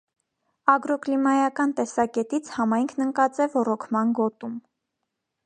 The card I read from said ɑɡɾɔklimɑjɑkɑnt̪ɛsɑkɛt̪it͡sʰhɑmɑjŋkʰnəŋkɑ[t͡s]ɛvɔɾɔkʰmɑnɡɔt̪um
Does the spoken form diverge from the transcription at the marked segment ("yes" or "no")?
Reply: no